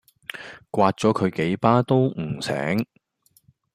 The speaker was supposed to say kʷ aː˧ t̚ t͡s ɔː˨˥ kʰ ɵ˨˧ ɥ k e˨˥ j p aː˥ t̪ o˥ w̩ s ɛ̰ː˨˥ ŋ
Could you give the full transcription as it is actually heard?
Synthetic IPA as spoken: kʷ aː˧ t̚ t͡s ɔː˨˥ kʰ ɵ˨˧ ɥ k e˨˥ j p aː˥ t̪ o˥ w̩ s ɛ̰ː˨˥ ŋ